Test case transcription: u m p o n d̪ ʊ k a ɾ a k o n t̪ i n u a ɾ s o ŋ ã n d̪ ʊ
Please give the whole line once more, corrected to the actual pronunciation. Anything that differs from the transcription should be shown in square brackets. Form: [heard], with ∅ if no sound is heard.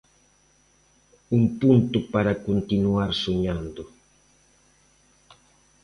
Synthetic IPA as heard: u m p [u] n [t̪] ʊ [p] a ɾ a k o n t̪ i n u a ɾ s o [ɲ] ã n d̪ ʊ